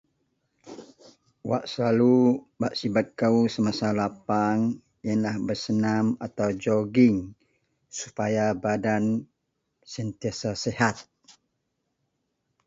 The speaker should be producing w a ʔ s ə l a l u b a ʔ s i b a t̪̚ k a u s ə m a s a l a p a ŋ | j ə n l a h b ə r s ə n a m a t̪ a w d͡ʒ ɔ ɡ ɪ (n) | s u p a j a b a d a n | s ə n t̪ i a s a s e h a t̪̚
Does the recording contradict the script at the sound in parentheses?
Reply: yes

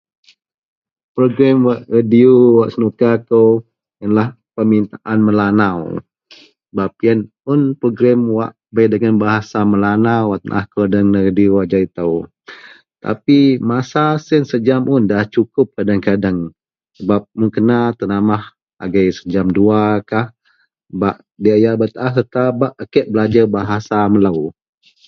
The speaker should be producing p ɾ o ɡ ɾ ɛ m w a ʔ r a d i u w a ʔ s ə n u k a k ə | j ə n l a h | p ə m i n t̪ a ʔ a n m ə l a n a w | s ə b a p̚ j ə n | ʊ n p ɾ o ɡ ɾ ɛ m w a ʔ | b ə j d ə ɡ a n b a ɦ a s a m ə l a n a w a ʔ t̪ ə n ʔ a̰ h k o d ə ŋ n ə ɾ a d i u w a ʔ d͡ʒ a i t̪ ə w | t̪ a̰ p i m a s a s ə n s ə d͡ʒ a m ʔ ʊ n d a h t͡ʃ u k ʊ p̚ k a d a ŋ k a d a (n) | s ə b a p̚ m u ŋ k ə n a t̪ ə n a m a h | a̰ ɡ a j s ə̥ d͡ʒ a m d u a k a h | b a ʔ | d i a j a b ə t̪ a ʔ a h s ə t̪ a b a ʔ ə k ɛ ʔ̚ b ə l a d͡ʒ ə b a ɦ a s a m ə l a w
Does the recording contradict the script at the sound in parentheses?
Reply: yes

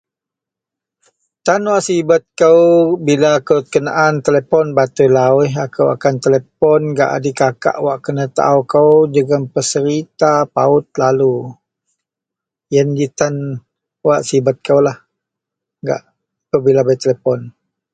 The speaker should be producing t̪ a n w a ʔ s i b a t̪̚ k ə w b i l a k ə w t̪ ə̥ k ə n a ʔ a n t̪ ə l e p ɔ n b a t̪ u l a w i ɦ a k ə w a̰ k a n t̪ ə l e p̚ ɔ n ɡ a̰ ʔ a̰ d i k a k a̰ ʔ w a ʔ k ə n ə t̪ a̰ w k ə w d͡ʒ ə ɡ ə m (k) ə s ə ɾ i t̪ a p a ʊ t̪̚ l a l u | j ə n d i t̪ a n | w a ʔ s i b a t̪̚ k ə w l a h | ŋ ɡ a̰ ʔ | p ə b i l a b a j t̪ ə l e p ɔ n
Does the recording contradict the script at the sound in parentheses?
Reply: yes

